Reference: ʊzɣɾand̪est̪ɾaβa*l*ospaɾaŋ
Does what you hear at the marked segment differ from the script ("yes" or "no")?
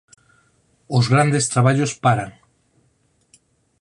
yes